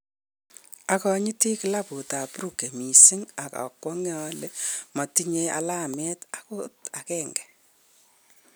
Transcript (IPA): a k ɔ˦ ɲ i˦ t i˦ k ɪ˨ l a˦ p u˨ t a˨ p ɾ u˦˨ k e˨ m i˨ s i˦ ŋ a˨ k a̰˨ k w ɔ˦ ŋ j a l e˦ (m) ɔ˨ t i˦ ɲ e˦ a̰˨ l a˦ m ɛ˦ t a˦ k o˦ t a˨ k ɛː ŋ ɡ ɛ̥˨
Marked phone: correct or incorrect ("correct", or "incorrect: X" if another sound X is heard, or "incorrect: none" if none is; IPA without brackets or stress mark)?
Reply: correct